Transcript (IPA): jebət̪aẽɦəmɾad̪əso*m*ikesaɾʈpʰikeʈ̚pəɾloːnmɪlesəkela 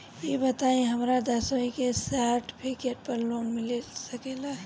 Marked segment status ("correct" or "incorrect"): incorrect